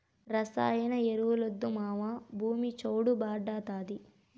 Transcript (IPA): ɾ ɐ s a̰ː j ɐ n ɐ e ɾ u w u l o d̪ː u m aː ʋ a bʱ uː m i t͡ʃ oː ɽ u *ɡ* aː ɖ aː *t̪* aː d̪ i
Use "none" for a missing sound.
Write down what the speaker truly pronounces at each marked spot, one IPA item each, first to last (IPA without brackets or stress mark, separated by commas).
b, t̪